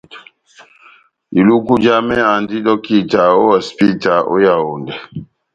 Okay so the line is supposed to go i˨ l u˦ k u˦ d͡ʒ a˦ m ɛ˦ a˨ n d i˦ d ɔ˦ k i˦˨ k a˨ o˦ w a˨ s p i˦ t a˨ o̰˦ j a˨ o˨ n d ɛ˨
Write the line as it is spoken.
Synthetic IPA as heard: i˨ l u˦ k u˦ d͡ʒ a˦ m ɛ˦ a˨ n d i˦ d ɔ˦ k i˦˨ t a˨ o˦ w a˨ s p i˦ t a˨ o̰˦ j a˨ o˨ n d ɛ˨